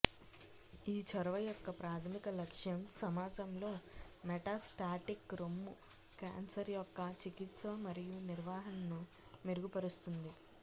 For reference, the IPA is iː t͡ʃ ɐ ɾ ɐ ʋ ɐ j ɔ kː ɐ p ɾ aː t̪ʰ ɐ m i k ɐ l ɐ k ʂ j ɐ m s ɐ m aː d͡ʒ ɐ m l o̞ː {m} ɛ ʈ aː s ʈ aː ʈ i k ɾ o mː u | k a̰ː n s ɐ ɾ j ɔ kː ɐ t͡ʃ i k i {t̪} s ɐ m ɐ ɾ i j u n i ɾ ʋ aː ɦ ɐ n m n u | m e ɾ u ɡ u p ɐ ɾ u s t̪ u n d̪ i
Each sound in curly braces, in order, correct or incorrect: correct, correct

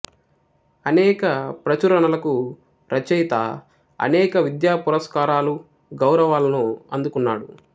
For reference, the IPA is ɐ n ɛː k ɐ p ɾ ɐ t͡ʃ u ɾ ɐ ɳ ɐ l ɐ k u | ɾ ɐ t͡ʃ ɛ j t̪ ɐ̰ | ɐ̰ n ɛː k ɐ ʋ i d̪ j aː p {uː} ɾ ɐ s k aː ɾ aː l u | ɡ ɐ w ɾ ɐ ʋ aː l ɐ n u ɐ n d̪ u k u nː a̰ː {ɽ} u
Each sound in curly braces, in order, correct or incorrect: incorrect: u, correct

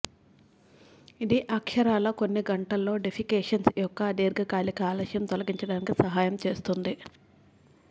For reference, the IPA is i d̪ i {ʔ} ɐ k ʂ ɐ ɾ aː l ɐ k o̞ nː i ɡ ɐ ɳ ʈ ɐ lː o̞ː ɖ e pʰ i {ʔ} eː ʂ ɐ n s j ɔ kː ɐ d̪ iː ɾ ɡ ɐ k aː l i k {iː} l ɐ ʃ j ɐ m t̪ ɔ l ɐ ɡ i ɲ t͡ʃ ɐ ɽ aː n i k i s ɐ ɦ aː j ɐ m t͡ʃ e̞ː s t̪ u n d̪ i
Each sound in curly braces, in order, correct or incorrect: correct, incorrect: k, incorrect: aː

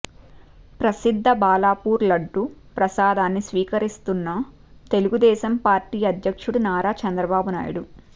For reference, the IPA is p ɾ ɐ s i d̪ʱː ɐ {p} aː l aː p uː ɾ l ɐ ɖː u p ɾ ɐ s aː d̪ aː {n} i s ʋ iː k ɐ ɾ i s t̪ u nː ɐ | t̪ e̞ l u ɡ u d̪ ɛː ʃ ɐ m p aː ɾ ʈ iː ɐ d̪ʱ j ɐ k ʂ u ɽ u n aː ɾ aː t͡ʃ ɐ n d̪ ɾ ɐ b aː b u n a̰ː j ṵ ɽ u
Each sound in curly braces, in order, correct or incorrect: incorrect: b, incorrect: nː

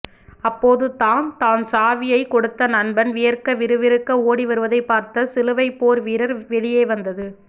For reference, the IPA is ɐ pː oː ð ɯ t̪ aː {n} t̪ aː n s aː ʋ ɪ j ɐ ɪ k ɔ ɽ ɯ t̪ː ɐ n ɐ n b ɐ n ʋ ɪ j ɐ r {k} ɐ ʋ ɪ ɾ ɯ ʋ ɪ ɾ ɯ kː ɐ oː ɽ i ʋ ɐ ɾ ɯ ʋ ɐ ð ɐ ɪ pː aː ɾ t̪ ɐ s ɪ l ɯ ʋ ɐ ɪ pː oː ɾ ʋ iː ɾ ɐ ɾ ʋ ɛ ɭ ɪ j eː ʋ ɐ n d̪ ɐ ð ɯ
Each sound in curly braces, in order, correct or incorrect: correct, correct

